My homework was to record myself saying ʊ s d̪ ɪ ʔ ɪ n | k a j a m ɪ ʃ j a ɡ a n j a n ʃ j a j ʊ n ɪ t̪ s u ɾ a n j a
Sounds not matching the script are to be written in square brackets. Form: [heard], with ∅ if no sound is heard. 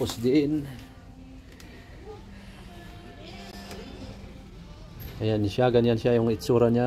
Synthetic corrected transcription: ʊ s d̪ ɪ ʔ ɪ n | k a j a [n] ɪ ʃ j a ɡ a n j a n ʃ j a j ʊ [ŋ] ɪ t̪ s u ɾ a n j a